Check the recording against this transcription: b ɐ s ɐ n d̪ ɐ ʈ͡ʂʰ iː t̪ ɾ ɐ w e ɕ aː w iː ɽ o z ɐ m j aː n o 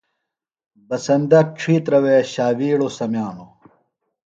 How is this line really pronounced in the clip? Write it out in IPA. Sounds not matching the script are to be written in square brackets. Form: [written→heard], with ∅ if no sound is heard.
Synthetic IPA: b ɐ s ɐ n d̪ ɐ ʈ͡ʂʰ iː t̪ ɾ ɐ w e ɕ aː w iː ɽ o [z→s] ɐ m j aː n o